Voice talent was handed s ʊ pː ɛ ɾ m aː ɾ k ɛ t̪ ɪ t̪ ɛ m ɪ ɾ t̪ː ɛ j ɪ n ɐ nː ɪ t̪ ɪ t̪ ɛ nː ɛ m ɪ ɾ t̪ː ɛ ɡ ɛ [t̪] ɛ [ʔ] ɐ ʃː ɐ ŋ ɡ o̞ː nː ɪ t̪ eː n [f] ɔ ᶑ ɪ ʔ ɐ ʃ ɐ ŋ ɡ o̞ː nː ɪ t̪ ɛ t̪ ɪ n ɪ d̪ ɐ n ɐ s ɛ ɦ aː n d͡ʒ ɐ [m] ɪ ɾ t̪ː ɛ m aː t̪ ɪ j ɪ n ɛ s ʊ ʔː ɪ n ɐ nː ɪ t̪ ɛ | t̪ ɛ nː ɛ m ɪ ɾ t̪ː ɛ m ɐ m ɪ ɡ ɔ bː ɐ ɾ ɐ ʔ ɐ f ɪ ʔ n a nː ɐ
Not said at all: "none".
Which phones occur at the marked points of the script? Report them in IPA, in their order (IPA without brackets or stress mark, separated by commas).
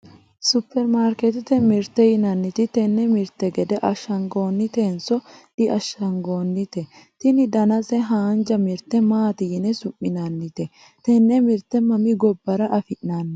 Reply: d̪, ʔ, s, m